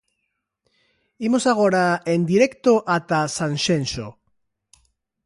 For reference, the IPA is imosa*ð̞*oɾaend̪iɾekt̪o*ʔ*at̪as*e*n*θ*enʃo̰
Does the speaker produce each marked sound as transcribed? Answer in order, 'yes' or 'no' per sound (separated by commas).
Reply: no, yes, no, no